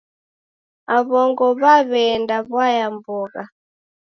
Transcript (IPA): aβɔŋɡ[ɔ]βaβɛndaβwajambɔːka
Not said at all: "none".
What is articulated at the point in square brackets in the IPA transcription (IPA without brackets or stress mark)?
ɔ